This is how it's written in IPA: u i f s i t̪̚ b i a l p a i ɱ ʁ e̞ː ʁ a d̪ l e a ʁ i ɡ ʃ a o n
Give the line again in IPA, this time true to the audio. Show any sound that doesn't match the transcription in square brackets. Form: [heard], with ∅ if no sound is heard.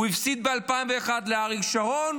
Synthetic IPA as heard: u i f s i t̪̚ b [e] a l p a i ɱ [v] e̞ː [χ] a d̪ l e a ʁ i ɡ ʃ a o n